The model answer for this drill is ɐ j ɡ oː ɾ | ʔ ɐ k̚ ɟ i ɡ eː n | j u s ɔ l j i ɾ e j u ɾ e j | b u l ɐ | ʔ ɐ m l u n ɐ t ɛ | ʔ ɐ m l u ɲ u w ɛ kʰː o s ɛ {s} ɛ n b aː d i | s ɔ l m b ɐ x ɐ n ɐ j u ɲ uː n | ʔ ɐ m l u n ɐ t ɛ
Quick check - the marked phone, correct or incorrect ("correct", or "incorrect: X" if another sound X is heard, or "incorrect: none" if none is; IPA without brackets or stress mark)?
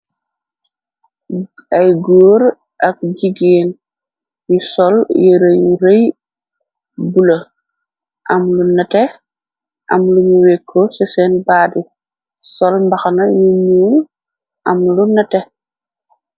correct